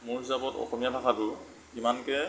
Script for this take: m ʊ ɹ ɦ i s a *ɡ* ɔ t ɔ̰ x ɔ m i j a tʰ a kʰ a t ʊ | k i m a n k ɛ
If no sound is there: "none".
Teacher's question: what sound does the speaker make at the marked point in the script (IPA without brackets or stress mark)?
b